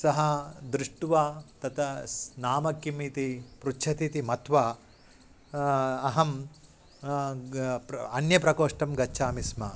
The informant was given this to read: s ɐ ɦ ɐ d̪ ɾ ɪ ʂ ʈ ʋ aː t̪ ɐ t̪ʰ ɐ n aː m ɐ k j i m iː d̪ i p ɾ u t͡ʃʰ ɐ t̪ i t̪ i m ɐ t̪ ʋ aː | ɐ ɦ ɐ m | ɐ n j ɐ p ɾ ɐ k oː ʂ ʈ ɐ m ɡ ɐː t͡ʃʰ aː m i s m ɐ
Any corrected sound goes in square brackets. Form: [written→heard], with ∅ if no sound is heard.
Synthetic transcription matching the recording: s ɐ ɦ ɐ d̪ ɾ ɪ ʂ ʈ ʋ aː t̪ ɐ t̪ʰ ɐ n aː m ɐ k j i m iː [d̪→t̪] i p ɾ u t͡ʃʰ ɐ t̪ i t̪ i m ɐ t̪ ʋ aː | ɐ ɦ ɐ m | ɐ n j ɐ p ɾ ɐ k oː ʂ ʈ ɐ m ɡ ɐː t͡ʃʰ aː m i s m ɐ